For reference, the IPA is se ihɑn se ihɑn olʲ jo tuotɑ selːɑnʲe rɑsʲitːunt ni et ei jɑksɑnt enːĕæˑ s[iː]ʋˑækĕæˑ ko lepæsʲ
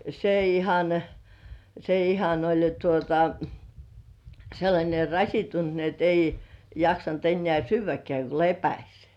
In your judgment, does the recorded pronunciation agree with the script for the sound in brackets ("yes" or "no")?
no